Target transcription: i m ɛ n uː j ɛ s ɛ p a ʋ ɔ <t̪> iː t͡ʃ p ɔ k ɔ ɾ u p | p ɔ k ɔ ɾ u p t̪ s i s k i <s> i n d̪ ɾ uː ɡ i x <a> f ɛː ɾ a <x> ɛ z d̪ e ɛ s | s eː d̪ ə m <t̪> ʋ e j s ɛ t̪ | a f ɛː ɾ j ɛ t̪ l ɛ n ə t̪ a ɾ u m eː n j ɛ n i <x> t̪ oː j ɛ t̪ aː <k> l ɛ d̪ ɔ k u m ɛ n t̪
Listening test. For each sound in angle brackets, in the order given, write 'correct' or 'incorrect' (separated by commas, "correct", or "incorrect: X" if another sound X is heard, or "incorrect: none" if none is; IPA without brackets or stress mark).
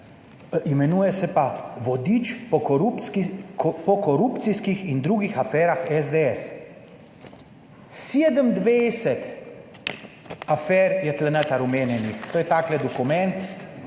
incorrect: d̪, incorrect: x, correct, correct, incorrect: d̪, correct, correct